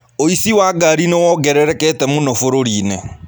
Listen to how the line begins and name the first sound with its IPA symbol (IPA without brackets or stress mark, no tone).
o